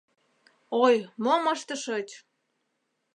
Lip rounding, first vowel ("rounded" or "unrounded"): rounded